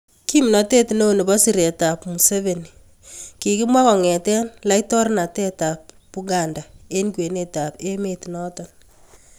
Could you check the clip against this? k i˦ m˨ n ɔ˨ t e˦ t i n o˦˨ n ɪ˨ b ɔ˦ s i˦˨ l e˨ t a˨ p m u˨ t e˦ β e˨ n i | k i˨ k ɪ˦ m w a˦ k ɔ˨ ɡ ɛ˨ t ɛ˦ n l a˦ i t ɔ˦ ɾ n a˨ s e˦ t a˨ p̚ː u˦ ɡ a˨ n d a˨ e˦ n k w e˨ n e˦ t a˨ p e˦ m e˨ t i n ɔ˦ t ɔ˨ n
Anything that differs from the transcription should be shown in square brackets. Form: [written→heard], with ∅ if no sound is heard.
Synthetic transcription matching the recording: k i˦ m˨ n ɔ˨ t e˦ t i n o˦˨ n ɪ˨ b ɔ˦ s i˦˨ [l→ɾ] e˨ t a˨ p m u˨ [t→s] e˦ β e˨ n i | k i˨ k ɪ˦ m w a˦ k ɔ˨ [ɡ→ŋ] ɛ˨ t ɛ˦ n l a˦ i t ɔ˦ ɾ n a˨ [s→t] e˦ t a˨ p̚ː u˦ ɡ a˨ n d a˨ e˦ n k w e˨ n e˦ t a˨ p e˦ m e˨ t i n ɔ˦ t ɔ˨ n